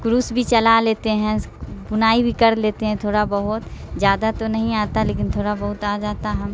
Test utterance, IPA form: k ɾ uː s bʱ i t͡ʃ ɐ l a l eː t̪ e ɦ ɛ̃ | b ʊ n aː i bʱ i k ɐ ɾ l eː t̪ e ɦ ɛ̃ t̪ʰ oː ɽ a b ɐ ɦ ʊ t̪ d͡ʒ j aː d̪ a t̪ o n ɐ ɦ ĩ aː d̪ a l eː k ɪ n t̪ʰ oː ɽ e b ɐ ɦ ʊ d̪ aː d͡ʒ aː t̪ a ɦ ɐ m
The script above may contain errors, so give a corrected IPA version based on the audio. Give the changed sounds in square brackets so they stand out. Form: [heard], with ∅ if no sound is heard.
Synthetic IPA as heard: k ɾ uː s bʱ i t͡ʃ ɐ l a l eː t̪ e ɦ ɛ̃ | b ʊ n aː i bʱ i k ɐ ɾ l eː t̪ e ɦ ɛ̃ t̪ʰ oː ɽ a b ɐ ɦ ʊ t̪ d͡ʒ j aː d̪ a t̪ o n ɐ ɦ ĩ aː [t̪] a l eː k ɪ n t̪ʰ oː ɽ [a] b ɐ ɦ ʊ [t̪] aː d͡ʒ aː t̪ a ɦ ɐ m